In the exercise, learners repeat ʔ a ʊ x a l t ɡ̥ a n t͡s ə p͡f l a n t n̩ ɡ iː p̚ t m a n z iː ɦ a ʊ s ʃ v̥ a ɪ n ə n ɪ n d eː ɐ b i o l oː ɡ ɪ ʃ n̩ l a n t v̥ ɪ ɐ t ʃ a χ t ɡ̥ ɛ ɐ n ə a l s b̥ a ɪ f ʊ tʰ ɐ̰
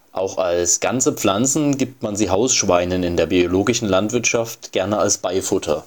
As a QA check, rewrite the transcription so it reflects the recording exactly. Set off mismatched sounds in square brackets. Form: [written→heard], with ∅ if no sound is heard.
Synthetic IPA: ʔ a ʊ x a l [t→s] ɡ̥ a n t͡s ə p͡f l a n [t→t͡s] n̩ ɡ iː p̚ t m a n z iː ɦ a ʊ s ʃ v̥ a ɪ n ə n ɪ n d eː ɐ b i o l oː ɡ ɪ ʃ n̩ l a n t v̥ ɪ ɐ t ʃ a [χ→f] t ɡ̥ ɛ ɐ n ə a l s b̥ a ɪ f ʊ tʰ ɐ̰